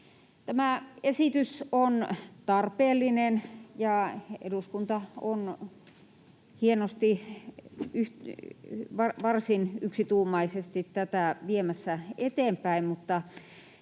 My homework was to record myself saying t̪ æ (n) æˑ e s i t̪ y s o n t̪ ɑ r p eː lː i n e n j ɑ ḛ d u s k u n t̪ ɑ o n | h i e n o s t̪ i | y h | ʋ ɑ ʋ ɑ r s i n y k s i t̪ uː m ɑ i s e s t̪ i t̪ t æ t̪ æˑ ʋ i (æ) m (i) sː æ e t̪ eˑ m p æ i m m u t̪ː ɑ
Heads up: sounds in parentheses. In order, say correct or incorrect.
incorrect, incorrect, incorrect

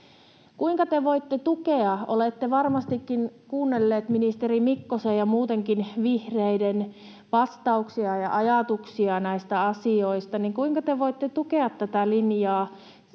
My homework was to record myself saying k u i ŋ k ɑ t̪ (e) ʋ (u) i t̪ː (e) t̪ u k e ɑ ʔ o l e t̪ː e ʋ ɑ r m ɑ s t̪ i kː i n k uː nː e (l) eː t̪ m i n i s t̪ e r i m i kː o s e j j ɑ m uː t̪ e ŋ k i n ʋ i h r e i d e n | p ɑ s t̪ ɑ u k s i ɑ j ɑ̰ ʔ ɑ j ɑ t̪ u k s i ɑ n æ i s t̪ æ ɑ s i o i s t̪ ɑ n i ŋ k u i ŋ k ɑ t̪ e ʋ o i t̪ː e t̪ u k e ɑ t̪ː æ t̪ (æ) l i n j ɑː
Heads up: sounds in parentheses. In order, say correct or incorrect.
correct, incorrect, correct, incorrect, correct

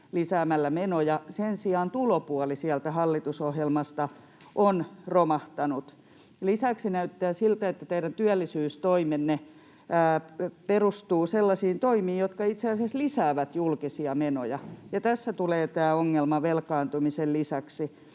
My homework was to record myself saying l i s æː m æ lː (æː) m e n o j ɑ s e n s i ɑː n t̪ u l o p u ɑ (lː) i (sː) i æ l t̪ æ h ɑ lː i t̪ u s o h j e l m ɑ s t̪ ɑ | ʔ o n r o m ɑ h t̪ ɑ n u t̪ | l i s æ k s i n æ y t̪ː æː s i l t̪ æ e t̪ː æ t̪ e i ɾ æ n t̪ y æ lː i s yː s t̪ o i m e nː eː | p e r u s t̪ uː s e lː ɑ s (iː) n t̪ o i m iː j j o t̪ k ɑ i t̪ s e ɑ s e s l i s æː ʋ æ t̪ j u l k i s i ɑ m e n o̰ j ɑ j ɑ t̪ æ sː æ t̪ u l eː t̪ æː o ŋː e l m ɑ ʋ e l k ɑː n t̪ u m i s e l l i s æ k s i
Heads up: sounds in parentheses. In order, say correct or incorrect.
incorrect, incorrect, incorrect, correct

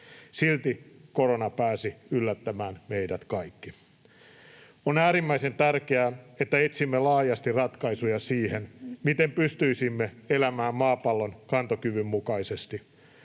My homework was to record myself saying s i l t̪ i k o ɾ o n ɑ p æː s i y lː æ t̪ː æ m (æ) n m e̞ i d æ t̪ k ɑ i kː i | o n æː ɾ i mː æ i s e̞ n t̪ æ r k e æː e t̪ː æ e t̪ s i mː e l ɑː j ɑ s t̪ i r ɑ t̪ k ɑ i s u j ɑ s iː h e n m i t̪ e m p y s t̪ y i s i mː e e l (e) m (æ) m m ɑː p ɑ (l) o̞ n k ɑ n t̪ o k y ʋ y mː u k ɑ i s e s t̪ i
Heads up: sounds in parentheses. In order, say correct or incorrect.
incorrect, incorrect, incorrect, incorrect

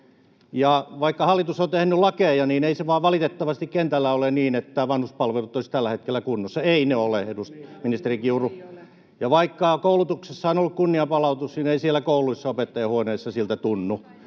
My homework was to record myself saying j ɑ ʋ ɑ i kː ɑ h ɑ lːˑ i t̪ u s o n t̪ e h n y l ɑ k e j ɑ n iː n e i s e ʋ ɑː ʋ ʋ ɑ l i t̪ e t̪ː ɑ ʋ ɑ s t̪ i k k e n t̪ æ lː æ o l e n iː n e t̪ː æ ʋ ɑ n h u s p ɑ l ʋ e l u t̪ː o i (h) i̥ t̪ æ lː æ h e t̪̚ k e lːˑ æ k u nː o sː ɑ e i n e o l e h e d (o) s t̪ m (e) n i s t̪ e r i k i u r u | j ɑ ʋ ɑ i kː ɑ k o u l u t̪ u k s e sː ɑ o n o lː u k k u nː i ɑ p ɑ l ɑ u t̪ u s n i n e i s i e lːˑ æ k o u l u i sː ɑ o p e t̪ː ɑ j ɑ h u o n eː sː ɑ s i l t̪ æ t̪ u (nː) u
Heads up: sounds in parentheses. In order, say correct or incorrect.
incorrect, incorrect, incorrect, correct

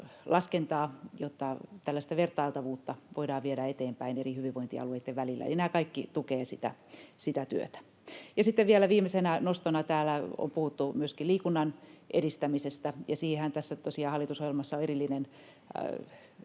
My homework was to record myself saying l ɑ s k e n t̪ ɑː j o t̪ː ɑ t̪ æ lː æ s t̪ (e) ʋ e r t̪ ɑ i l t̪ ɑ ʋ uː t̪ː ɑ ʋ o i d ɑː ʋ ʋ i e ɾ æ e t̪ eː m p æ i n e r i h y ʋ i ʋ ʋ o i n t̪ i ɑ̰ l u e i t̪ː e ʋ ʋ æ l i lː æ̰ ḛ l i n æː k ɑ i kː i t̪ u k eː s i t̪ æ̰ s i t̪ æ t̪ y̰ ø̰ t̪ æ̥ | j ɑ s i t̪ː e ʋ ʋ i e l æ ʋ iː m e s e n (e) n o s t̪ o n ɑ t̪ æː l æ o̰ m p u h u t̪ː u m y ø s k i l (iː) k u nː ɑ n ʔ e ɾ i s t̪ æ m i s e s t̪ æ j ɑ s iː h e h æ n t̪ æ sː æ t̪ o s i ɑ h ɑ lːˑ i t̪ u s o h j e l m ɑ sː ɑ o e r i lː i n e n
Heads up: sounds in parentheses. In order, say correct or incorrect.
incorrect, incorrect, correct

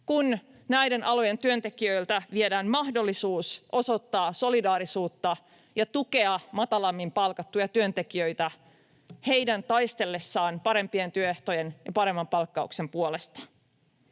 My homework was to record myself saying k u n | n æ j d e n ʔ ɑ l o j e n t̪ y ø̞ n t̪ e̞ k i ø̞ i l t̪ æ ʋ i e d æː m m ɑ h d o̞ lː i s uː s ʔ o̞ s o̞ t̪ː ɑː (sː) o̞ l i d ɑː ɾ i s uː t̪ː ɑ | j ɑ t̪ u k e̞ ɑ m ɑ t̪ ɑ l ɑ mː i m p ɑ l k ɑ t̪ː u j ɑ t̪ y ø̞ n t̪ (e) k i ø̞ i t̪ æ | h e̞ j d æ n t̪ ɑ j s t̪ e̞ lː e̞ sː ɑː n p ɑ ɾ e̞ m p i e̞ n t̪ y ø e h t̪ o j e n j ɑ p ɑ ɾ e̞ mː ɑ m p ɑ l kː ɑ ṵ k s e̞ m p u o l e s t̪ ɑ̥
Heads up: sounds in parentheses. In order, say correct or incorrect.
incorrect, correct

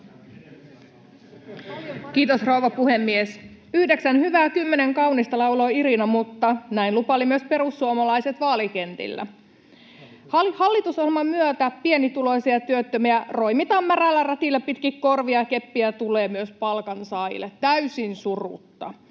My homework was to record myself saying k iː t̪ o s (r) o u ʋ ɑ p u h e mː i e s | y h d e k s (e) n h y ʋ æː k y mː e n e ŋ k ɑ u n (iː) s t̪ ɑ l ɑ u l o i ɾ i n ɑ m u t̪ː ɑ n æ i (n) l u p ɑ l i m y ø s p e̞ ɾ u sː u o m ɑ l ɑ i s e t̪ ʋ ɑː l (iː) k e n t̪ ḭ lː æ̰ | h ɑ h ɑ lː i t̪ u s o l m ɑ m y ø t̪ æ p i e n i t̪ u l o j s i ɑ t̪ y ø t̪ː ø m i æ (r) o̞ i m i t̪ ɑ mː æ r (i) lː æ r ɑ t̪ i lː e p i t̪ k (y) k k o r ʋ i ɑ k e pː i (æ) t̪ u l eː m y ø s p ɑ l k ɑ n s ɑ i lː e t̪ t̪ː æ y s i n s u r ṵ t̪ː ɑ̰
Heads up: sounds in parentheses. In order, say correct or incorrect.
correct, incorrect, incorrect, correct, incorrect, correct, incorrect, incorrect, correct

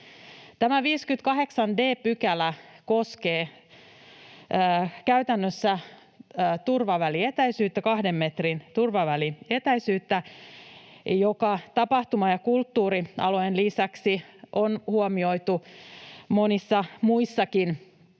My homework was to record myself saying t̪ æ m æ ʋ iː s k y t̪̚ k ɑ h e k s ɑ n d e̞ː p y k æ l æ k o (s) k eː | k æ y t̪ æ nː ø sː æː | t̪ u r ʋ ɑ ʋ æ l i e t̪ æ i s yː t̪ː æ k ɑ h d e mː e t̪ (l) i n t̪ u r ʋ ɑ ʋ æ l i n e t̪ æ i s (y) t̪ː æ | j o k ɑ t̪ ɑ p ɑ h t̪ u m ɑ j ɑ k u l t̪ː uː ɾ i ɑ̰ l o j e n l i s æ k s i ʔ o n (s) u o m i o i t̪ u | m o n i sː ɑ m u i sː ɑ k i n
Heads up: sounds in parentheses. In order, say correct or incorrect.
correct, incorrect, incorrect, incorrect

